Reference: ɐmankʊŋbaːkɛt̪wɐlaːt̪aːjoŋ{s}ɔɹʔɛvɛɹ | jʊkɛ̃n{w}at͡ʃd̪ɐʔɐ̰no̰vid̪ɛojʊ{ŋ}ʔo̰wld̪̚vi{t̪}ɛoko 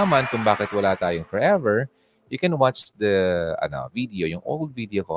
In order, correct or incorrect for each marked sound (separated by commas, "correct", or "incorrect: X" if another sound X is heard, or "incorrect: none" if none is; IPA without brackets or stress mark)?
incorrect: f, correct, correct, incorrect: d̪